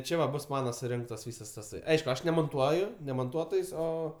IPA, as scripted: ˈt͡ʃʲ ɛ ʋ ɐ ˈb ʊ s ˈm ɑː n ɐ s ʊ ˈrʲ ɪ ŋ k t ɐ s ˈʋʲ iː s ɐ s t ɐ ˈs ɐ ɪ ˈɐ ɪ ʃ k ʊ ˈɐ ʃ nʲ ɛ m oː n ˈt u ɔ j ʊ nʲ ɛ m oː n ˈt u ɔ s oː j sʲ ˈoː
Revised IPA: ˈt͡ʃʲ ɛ ʋ ɐ ˈb ʊ s ˈm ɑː n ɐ s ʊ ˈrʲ ɪ ŋ k t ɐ s ˈʋʲ iː s ɐ s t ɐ ˈs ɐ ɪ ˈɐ ɪ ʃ k ʊ ˈɐ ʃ nʲ ɛ m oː n ˈt u ɔ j ʊ nʲ ɛ m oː n ˈt u ɔ t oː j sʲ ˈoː